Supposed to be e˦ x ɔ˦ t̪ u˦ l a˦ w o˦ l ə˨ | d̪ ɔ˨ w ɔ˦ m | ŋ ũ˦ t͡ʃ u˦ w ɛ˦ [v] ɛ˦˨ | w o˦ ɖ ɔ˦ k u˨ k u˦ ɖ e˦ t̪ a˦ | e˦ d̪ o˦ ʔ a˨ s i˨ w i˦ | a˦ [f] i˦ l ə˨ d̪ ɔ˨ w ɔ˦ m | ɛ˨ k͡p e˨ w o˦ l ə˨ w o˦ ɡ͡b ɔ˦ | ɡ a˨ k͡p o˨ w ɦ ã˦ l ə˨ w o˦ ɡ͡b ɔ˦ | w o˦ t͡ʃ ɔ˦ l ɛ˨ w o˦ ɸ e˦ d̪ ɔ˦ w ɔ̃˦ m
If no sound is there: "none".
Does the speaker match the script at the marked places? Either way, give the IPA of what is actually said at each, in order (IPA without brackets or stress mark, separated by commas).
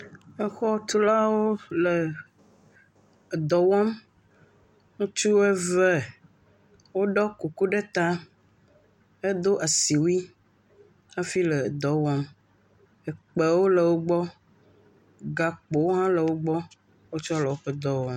v, f